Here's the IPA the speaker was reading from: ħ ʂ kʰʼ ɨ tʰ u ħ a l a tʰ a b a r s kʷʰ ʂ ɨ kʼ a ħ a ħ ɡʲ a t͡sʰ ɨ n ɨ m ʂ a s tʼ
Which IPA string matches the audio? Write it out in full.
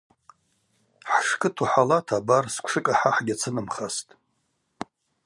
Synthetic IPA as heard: ħ ʂ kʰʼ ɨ tʰ u ħ a l a tʰ a b a r s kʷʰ ʂ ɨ kʼ a ħ a ħ ɡʲ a t͡sʰ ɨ n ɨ m χ a s tʼ

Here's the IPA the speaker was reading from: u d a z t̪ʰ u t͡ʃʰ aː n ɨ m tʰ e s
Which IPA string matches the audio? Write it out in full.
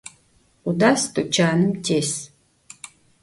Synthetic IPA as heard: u d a s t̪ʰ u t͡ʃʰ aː n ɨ m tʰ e s

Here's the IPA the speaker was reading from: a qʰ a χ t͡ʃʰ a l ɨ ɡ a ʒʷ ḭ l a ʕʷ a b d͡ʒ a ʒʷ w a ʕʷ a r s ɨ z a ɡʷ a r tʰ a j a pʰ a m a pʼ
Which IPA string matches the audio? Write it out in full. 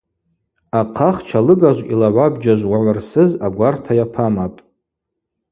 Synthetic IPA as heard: a qʰ a χ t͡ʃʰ a l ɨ ɡ a ʒʷ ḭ l a ʕʷ a b d͡ʒ a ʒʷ w a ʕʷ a r s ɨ z a ɡʷ a r tʰ a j a pʰ a m a pʼ

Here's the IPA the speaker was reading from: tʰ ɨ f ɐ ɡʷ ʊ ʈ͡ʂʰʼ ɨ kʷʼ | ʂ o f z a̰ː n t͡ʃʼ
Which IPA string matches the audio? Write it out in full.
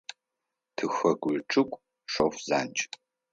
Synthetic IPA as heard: tʰ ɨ x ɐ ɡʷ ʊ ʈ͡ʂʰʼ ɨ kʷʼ | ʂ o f z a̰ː n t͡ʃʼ

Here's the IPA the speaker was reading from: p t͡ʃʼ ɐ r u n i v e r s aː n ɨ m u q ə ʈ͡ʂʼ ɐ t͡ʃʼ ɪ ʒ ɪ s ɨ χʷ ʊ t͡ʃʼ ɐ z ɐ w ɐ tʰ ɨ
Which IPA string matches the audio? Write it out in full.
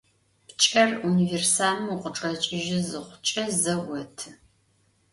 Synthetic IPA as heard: p t͡ʃʼ ɐ r u n i v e r s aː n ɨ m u q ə ʈ͡ʂʼ ɐ t͡ʃʼ ɪ ʒ ɪ z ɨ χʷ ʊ t͡ʃʼ ɐ z ɐ w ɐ tʰ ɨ

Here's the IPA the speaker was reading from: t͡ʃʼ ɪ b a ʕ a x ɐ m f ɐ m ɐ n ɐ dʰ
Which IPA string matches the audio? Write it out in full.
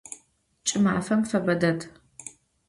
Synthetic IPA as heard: t͡ʃʼ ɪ m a ʕ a f ɐ m f ɐ b ɐ d ɐ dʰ

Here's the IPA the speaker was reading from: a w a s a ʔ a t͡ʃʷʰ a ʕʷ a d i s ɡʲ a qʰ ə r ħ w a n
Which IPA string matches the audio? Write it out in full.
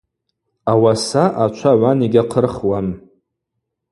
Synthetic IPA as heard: a w a s a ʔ a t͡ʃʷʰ a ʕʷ a n i ɡʲ a qʰ ə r χ w a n

